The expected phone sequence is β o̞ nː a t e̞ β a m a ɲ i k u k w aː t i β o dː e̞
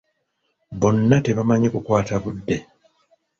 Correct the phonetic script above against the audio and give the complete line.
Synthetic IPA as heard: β o̞ nː a t e̞ β a m a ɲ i k u k w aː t a β u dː e̞